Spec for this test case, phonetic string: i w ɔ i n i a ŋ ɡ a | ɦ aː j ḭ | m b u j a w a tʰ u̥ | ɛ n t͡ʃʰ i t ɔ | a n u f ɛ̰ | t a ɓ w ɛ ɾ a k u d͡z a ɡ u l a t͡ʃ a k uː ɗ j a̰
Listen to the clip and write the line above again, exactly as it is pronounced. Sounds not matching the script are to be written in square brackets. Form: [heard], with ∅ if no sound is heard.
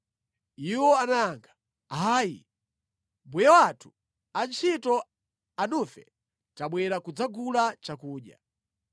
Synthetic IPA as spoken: i w ɔ [a] n [a] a ŋ ɡ a | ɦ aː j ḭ | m b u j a w a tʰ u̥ | [a] n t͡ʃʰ i t ɔ | a n u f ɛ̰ | t a ɓ w ɛ ɾ a k u d͡z a ɡ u l a t͡ʃ a k uː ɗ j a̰